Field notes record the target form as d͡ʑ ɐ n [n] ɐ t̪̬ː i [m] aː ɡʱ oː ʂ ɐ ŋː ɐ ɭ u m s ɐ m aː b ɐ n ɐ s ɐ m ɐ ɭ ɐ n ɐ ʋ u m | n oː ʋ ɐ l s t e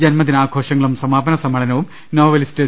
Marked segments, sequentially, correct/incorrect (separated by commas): incorrect, incorrect